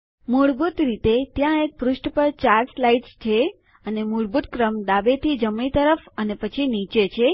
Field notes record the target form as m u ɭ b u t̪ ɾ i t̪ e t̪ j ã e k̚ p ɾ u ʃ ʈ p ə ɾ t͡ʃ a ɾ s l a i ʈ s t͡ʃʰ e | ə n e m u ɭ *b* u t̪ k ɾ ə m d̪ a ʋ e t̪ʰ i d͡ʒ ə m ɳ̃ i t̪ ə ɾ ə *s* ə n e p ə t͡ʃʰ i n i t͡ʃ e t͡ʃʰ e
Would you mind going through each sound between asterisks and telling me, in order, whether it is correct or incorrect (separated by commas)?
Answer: correct, incorrect